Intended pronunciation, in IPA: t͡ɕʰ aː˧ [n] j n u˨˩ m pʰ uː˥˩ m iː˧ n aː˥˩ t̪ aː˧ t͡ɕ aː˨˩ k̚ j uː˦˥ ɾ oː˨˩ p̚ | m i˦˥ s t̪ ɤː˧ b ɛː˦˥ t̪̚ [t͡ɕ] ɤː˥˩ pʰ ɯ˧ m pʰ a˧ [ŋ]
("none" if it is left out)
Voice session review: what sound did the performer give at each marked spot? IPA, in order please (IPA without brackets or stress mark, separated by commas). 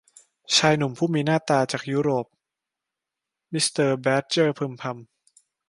none, t͡ɕ, m